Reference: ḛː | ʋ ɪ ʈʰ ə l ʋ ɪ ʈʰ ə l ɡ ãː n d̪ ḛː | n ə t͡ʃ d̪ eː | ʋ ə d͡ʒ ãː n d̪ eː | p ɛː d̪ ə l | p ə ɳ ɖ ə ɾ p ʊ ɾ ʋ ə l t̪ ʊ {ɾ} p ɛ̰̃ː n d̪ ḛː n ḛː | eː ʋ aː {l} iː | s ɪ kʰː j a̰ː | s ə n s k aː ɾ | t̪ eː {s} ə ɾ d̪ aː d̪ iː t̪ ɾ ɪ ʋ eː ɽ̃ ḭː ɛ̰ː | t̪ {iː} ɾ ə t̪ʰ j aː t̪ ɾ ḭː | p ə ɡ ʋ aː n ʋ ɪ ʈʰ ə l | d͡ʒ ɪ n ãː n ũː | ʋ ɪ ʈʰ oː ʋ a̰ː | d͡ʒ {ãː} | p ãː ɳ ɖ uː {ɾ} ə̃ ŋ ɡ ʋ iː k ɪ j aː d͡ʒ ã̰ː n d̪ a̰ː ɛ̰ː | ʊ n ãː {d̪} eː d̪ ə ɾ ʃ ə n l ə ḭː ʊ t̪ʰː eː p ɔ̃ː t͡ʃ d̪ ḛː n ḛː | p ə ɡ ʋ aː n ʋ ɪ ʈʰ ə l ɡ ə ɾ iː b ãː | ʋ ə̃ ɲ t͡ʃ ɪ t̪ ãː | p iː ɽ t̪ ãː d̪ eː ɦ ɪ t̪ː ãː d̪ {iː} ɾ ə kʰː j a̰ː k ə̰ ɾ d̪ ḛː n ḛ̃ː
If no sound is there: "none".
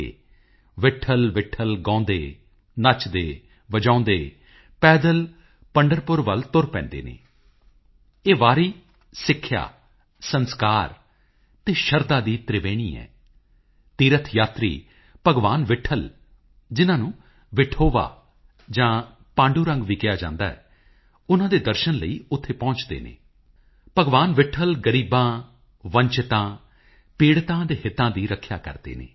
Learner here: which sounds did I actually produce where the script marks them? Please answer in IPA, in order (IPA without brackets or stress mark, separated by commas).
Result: ɾ, ɾ, ʃ, iː, ãː, ɾ, d̪, iː